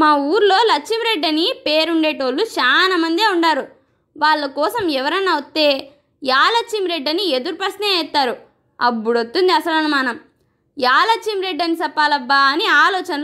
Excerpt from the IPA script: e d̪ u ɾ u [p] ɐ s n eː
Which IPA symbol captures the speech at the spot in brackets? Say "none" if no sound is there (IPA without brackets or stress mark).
p